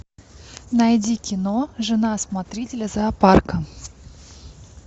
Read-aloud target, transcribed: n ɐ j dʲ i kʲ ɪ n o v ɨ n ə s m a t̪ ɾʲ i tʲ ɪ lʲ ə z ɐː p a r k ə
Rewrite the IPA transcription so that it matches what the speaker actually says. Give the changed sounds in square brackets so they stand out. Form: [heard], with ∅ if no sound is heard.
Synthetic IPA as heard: n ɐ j dʲ i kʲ ɪ n o [ʐ] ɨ n [a] s m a t̪ ɾʲ i tʲ ɪ lʲ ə z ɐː p a r k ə